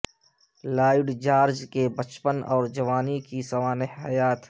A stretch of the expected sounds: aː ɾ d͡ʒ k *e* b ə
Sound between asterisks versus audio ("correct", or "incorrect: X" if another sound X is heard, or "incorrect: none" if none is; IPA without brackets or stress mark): correct